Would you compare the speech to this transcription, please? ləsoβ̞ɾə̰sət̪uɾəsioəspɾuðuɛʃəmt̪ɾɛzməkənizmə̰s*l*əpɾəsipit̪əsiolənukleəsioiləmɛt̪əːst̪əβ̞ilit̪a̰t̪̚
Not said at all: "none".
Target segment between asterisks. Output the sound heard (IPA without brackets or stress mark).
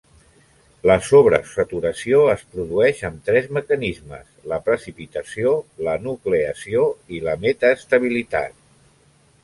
l